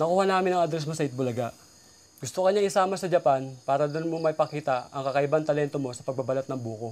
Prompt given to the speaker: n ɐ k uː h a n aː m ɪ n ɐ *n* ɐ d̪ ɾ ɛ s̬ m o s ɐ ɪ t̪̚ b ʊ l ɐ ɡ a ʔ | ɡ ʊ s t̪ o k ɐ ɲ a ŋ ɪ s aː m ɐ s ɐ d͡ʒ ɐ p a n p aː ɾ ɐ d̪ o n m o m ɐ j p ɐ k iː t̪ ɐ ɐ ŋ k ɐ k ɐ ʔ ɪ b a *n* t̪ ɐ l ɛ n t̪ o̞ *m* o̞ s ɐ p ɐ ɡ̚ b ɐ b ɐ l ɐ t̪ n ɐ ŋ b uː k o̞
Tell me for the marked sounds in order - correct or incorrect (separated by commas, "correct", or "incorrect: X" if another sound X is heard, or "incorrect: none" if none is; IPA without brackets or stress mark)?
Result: incorrect: ŋ, correct, correct